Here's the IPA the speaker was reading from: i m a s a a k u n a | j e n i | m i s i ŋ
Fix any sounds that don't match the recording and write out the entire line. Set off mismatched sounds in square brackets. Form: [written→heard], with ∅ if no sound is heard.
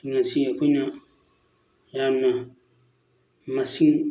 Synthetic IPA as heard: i [m→ŋ] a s [a→i] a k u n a | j [e→a] n [i→a] | m [i→a] s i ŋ

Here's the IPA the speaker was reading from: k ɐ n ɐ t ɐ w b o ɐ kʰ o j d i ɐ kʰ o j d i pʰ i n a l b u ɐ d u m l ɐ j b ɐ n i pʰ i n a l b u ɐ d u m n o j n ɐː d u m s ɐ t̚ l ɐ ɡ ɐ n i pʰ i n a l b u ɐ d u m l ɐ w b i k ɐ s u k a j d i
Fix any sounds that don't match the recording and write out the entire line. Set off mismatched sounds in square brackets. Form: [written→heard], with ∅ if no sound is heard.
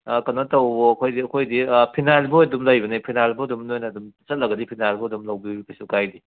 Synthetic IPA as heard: k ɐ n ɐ t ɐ w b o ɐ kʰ o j d i ɐ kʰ o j d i pʰ i n a l b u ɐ d u m l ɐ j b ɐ n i pʰ i n a l b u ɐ d u m n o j n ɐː d u m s ɐ t̚ l ɐ ɡ ɐ [n→d] i pʰ i n a l b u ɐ d u m l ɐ w b i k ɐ s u k a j d i

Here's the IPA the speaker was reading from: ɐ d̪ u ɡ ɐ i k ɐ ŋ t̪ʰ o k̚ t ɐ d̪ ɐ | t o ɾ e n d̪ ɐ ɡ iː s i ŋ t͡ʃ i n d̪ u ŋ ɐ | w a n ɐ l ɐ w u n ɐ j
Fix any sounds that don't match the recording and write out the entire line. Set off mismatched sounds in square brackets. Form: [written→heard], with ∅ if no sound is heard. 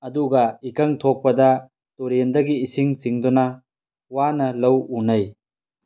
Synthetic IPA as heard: ɐ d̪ u ɡ ɐ i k ɐ ŋ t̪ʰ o k̚ [t→p] ɐ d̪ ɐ | t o ɾ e n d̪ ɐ ɡ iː s i ŋ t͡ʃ i [n→ŋ] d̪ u [ŋ→n] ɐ | w a n ɐ l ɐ w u n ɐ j

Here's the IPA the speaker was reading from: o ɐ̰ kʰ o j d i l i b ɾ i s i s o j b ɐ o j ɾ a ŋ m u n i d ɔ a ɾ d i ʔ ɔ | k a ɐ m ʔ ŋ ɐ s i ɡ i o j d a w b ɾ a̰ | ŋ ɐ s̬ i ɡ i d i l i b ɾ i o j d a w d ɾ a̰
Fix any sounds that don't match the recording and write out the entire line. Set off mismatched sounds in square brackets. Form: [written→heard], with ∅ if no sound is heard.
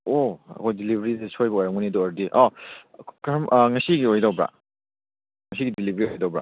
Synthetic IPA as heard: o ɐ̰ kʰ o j d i l i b ɾ i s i s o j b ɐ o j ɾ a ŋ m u n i d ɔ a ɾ d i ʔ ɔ | k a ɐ m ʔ ŋ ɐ s i ɡ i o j d a w b ɾ a̰ | ŋ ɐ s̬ i ɡ i d i l i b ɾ i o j d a w [d→b] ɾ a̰

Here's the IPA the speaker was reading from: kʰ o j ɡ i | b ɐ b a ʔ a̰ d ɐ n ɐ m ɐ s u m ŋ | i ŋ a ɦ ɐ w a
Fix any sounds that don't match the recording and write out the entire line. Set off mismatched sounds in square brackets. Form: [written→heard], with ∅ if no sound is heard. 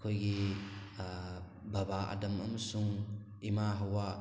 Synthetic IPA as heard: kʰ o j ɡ i | b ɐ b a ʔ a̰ d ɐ [n→m] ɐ m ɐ s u [m→∅] ŋ | i [ŋ→m] a ɦ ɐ w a

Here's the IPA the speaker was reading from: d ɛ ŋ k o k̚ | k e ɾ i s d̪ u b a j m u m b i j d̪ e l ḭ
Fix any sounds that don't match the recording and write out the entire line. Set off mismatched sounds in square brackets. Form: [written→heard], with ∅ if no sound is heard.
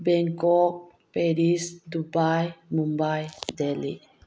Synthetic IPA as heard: [d→b] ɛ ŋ k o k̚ | [k→p] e ɾ i s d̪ u b a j m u m b [i→a] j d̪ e l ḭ

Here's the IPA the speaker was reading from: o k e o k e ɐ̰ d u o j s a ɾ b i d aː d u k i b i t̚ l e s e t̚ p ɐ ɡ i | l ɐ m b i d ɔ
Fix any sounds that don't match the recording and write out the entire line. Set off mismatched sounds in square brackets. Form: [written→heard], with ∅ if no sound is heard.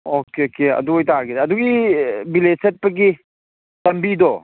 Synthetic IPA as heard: o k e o k e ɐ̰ d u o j [s→t] a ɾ [b→ɡ] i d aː d u [k→ɡ] i b i [t̚→∅] l e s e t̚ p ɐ ɡ i | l ɐ m b i d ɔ

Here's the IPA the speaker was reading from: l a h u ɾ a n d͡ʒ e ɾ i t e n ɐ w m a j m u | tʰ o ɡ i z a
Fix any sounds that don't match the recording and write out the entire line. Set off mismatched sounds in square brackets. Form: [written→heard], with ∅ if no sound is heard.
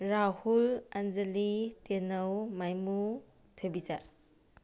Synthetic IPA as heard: [l→ɾ] a h u [ɾ→l] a n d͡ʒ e [ɾ→l] i t e n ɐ w m a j m u | tʰ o [ɡ→b] i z a

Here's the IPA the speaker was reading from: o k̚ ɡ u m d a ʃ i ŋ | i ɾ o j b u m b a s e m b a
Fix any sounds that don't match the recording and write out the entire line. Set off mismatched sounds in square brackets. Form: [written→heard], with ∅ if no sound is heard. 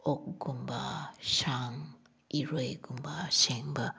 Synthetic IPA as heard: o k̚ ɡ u m [d→b] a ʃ [i→a] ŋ | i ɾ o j [b→ɡ] u m b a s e [m→ŋ] b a

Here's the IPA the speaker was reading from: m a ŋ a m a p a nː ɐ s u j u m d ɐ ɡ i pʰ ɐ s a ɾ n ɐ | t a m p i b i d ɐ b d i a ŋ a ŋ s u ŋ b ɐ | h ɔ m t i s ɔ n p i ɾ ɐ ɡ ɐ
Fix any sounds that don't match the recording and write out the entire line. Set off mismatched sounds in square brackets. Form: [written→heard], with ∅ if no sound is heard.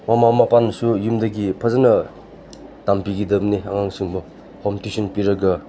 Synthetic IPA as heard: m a [ŋ→m] a m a p a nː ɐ s u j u m d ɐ ɡ i pʰ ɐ [s→z] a [ɾ→∅] n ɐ | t a m p i [b→ɡ] i d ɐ b [d→n] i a ŋ a ŋ s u ŋ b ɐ | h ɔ m t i s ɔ n p i ɾ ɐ ɡ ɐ

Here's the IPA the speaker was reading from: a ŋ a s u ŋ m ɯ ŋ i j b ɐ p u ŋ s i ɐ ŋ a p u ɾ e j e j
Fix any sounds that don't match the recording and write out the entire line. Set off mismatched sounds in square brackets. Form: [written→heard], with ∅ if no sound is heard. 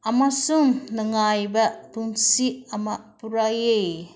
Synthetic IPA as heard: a [ŋ→m] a s u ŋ [m→n] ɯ ŋ [i→a] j b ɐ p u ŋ s i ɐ [ŋ→m] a p u ɾ [e→a] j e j

